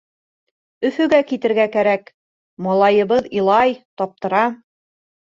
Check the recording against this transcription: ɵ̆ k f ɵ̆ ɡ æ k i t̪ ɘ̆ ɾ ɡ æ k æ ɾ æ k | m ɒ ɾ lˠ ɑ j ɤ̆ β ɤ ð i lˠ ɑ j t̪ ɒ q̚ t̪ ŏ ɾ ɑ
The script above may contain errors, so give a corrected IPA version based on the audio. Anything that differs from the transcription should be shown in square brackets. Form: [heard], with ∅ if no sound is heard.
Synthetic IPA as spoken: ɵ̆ [∅] f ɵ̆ ɡ æ k i t̪ ɘ̆ ɾ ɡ æ k æ ɾ æ k | m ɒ [∅] lˠ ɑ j ɤ̆ β ɤ ð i lˠ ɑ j t̪ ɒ [p̚] t̪ [ɤ̆] ɾ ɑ